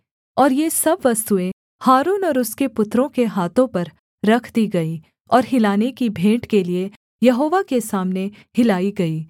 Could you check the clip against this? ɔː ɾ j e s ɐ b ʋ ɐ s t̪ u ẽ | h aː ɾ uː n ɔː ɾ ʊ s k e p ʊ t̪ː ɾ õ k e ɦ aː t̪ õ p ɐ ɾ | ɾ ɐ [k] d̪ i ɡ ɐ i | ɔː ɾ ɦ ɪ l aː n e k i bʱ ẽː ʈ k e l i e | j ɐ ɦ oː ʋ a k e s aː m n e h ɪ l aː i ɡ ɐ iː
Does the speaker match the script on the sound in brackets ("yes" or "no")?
no